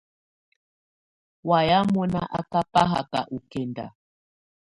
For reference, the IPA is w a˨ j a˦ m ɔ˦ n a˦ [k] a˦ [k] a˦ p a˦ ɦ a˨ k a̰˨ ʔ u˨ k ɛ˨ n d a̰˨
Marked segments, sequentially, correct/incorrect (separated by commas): incorrect, correct